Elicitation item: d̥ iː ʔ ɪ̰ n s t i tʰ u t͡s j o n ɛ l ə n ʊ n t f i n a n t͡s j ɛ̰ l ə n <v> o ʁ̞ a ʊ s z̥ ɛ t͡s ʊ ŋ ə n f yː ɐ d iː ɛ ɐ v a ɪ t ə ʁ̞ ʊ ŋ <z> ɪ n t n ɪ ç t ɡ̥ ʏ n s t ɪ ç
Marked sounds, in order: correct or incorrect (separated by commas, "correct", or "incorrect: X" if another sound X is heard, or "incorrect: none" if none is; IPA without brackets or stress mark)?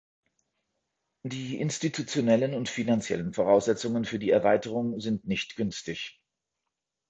incorrect: f, correct